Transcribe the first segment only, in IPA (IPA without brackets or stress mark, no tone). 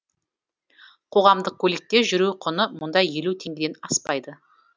qʰ